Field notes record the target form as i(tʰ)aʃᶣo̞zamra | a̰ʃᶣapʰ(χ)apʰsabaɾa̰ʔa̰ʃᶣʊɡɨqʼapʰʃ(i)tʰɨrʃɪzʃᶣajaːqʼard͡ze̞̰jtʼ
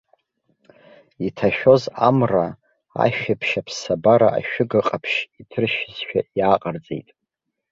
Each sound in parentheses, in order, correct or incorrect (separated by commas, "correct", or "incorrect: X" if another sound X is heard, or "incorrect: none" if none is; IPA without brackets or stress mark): correct, incorrect: ʃ, correct